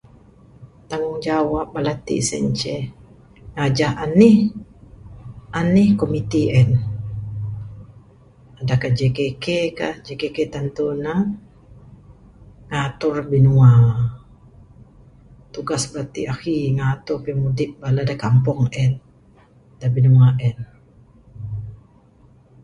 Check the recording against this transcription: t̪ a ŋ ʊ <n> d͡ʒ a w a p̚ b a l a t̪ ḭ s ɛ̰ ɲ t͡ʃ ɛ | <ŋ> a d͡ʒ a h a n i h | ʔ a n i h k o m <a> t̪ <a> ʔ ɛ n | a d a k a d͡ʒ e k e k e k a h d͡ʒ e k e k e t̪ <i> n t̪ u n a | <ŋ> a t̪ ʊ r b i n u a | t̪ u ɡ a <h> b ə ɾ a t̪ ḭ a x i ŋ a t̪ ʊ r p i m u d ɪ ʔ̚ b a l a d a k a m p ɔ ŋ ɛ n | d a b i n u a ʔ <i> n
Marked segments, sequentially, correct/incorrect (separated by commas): incorrect, correct, incorrect, incorrect, incorrect, correct, incorrect, incorrect